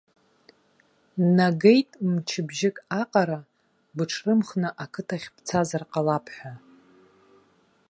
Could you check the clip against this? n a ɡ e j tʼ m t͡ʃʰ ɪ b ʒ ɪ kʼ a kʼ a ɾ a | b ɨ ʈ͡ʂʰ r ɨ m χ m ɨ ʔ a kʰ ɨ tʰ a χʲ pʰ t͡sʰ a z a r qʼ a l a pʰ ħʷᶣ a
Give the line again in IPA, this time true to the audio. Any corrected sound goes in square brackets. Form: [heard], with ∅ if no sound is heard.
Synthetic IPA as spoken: n a ɡ e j tʼ m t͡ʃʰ ɪ b ʒ ɪ kʼ a [qʼ] a ɾ a | b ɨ ʈ͡ʂʰ r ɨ m χ [n] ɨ ʔ a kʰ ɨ tʰ a χʲ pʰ t͡sʰ a z a r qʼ a l a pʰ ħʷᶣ a

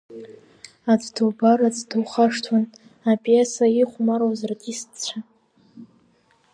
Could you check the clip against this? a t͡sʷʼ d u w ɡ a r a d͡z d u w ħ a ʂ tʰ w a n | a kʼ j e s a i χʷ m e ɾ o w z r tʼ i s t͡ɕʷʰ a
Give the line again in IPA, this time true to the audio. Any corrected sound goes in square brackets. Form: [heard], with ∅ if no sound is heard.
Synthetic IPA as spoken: a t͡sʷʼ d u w [b] a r a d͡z d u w [χ] a ʂ tʰ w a n | a [pʼ] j e s a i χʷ m [a] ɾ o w z r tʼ i s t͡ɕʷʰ a

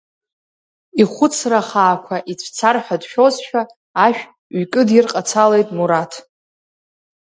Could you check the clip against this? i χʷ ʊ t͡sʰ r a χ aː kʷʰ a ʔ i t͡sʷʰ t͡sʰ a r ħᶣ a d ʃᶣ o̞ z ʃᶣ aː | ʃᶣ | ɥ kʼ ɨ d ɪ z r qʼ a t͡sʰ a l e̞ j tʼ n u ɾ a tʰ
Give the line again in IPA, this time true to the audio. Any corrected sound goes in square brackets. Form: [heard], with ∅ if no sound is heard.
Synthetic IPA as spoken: i χʷ ʊ t͡sʰ r a χ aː kʷʰ a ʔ i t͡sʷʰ t͡sʰ a r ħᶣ a d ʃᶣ o̞ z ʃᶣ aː | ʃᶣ | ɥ kʼ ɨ d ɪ [∅] r qʼ a t͡sʰ a l e̞ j tʼ [m] u ɾ a tʰ

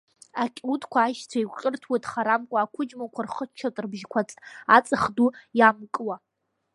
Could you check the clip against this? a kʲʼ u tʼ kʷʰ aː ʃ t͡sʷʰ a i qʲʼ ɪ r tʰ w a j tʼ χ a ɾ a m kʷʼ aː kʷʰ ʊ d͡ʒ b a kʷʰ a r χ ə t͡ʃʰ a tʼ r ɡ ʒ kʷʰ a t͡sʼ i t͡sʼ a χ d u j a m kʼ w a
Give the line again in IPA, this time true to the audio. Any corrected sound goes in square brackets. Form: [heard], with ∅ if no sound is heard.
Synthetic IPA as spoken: a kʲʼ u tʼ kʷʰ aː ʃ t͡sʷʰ a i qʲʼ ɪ r tʰ w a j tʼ χ a ɾ a m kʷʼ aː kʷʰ ʊ d͡ʒ [m] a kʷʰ a r χ ə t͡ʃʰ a tʼ r [b] ʒ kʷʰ a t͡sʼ [a] t͡sʼ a χ d u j a m kʼ w a

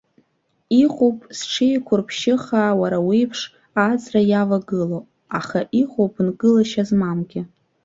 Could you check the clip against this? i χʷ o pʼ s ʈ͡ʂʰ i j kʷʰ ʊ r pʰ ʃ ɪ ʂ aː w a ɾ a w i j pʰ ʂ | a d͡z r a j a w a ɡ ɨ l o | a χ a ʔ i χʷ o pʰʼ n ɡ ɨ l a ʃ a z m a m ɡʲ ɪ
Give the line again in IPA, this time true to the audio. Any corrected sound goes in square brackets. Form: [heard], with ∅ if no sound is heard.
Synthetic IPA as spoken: i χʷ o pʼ s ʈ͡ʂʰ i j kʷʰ ʊ r pʰ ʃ ɪ [χ] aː w a ɾ a w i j pʰ ʂ | a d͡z r a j a [v] a ɡ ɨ l o | a χ a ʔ i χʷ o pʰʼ n ɡ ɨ l a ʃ a z m a m ɡʲ ɪ

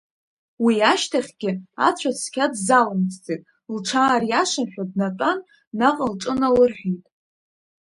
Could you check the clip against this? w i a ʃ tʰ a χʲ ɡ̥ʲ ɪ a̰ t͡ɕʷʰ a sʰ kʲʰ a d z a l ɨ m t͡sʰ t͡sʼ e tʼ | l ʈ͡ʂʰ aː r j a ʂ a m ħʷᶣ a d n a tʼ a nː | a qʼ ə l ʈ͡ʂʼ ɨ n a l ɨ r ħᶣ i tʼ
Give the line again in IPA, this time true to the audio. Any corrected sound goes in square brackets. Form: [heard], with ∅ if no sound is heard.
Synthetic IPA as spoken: w i a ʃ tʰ a χʲ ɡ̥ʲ ɪ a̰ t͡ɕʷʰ a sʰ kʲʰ a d z a l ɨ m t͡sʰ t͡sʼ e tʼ | l ʈ͡ʂʰ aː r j a ʂ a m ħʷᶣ a d n a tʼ a nː | a qʼ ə l ʈ͡ʂʼ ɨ n a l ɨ r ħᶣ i tʼ

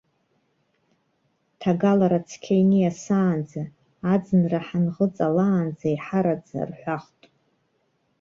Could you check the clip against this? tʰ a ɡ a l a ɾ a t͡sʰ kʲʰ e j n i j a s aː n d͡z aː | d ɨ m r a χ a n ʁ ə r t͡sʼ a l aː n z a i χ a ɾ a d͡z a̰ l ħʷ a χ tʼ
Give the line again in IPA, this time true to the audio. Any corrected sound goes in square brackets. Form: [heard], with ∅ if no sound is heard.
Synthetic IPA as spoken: tʰ a ɡ a l a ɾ a t͡sʰ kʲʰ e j n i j a s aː n d͡z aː | [d͡z] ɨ [n] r a [ħ] a n ʁ ə [∅] t͡sʼ a l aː n [d͡z] a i [ħ] a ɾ a d͡z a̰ [r] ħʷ a χ tʼ

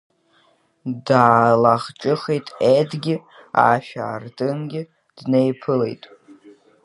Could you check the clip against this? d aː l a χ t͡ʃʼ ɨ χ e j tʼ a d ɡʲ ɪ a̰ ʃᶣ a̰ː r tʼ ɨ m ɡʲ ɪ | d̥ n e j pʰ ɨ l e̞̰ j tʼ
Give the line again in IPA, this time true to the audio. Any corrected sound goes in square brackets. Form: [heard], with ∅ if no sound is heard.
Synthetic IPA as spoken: d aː l a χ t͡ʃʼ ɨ χ e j tʼ [e] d ɡʲ ɪ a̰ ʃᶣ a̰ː r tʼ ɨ [n] ɡʲ ɪ | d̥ n e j pʰ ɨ l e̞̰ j tʼ

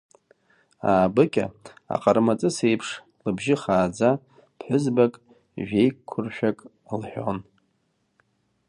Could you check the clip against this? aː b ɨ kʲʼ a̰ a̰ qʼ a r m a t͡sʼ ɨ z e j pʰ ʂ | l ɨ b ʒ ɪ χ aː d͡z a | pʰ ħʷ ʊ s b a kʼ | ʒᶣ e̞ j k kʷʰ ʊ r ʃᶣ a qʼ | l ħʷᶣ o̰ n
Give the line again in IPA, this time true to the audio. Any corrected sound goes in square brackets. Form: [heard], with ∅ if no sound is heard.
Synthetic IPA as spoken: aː b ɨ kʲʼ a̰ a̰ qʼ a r m a t͡sʼ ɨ [s] e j pʰ ʂ | l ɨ b ʒ ɪ χ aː d͡z a | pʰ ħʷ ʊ [z] b a kʼ | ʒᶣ e̞ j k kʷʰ ʊ r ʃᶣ a [kʼ] | l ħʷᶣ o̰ n

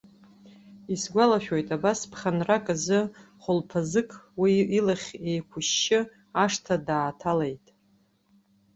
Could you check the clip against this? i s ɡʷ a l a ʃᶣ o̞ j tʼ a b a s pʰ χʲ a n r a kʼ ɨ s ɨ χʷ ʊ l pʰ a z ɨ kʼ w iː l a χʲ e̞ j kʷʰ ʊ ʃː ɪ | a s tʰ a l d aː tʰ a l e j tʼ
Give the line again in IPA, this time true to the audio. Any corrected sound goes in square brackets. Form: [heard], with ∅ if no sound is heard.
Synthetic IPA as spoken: i s ɡʷ a l a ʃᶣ o̞ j tʼ a b a s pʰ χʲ a n r a kʼ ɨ [z] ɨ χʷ ʊ l pʰ a z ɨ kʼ w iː l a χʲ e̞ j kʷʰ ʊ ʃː ɪ | a [ʂ] tʰ a [∅] d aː tʰ a l e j tʼ

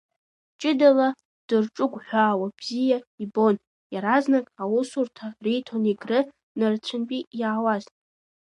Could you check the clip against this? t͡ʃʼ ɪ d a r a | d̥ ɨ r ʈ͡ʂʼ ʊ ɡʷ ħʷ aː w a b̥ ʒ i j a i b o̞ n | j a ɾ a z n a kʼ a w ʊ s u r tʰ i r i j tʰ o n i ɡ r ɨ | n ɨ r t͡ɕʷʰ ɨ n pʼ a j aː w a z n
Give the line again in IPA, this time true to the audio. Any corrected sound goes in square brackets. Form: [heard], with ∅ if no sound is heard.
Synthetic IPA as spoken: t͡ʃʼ ɪ d a [l] a | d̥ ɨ r ʈ͡ʂʼ ʊ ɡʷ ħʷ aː w a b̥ [z] i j a i b o̞ n | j a ɾ a z n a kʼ a w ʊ s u r tʰ [a] r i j tʰ o n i ɡ r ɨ | n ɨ r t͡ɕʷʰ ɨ n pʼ [i] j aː w a z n

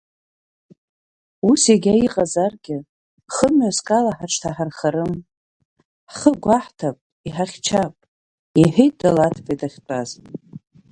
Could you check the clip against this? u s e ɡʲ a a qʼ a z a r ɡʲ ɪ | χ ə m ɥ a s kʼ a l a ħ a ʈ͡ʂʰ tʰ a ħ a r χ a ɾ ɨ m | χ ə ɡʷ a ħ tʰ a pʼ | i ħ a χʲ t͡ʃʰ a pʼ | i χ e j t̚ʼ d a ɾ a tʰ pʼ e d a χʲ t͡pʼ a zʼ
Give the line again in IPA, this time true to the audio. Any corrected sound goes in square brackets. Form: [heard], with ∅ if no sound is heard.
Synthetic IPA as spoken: u s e ɡʲ a [i] qʼ a z a r ɡʲ ɪ | χ ə m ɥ a s kʼ a l a ħ a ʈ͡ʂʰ tʰ a ħ a r χ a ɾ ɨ m | χ ə ɡʷ a ħ tʰ a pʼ | i ħ a χʲ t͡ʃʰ a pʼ | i [ħ] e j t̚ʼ d a [l] a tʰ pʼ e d a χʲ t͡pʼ a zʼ

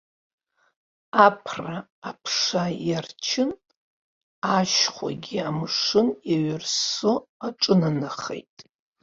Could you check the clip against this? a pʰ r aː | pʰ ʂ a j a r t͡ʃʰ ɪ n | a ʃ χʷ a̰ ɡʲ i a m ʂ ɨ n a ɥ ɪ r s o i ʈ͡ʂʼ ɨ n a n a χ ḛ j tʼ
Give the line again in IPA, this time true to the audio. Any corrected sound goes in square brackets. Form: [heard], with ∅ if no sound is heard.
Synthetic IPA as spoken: a pʰ r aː | pʰ ʂ a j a r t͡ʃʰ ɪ n | a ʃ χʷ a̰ ɡʲ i a m ʂ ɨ n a ɥ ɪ r s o [a] ʈ͡ʂʼ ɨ n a n a χ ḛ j tʼ

